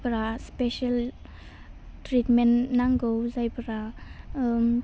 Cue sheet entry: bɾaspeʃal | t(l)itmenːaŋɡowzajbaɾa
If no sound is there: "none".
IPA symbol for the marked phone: ɾ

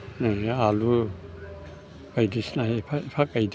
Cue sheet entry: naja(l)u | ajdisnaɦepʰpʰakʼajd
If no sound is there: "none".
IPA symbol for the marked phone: l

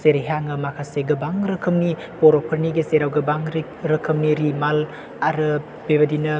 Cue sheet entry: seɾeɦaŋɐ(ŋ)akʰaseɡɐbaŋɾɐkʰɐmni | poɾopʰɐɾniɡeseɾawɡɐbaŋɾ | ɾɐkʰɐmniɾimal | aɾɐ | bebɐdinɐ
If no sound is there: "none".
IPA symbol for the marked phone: m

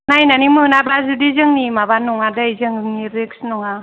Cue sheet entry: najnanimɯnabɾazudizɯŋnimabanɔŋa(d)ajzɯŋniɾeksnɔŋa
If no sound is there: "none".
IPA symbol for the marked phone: d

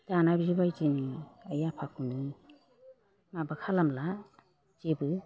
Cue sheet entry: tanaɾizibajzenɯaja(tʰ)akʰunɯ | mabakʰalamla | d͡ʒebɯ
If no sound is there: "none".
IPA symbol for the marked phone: pʰ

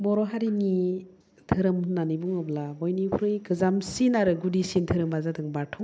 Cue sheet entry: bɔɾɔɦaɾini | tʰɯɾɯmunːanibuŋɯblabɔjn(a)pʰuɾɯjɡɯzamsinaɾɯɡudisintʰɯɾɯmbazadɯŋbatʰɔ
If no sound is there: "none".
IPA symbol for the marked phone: i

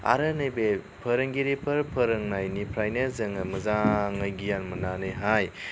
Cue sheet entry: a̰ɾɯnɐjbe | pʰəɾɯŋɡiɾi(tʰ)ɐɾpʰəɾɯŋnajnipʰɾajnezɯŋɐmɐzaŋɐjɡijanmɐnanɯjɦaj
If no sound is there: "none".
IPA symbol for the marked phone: pʰ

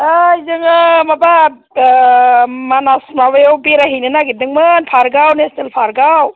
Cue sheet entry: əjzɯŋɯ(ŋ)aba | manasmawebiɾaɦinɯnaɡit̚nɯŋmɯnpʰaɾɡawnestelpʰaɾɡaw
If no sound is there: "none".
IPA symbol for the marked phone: m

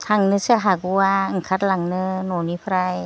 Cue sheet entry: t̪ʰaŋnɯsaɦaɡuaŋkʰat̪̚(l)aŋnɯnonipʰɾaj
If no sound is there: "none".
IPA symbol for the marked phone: l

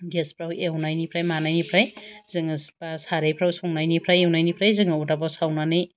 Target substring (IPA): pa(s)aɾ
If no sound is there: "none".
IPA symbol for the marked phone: s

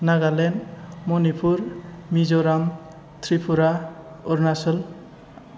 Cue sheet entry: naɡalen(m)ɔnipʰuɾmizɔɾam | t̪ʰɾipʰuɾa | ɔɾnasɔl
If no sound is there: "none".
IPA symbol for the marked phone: m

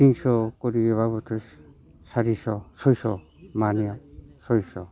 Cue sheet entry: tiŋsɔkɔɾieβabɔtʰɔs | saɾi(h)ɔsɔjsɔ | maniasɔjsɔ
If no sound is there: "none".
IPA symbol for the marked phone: s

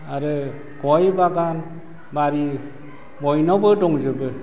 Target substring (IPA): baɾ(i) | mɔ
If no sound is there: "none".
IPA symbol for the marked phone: i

